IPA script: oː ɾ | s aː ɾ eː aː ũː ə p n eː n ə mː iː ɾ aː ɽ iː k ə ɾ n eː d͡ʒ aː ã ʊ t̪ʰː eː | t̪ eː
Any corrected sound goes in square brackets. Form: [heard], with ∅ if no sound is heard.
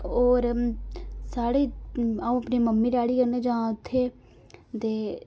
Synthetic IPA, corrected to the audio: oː ɾ | s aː [ɽ] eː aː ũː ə p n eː [m] ə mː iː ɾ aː ɽ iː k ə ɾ n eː d͡ʒ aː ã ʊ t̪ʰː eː | t̪ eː